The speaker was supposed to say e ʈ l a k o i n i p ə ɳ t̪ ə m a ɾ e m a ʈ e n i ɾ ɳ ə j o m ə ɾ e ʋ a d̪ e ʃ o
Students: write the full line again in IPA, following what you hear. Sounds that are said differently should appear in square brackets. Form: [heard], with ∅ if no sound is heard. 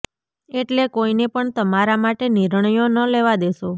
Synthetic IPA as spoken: e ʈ l [e] k o i n [e] p ə ɳ t̪ ə m a ɾ [a] m a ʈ e n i ɾ ɳ ə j o [n] ə [l] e ʋ a d̪ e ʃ o